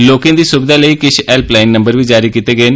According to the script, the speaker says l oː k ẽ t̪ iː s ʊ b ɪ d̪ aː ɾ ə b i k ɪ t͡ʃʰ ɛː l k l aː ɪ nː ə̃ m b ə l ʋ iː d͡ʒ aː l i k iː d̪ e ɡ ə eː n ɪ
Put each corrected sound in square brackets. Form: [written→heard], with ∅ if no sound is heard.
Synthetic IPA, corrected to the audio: l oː k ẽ [t̪→d̪] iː s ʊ b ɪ d̪ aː [ɾ→l] ə [b→∅] i k ɪ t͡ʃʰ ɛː l [k→p] l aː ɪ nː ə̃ m b ə [l→ɾ] ʋ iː d͡ʒ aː [l→ɾ] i k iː [d̪→t̪] e ɡ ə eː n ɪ